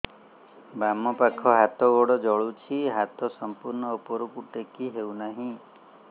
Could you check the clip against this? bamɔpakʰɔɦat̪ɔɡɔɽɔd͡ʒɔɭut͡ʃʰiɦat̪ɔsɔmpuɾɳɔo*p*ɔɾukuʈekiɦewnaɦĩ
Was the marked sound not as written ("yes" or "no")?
no